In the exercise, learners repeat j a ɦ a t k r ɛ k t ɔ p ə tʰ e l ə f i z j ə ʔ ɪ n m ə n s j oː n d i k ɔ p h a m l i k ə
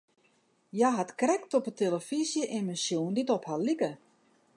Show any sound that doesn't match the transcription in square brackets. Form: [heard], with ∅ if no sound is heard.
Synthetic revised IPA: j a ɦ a t k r ɛ k t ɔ p ə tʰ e l ə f i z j ə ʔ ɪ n m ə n s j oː n d i [t] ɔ p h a [∅] l i k ə